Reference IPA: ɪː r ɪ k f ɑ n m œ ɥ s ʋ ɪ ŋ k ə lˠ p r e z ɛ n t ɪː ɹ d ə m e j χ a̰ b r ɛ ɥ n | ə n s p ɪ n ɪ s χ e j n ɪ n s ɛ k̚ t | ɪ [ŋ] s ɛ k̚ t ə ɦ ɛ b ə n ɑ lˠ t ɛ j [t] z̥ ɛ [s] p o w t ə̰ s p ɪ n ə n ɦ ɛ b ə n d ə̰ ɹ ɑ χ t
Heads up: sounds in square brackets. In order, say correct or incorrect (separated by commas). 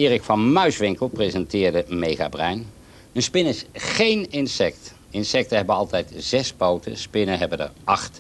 incorrect, correct, correct